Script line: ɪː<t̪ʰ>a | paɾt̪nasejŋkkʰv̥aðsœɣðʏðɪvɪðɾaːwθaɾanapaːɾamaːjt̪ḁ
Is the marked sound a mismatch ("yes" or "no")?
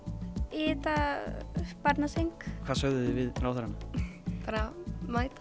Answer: yes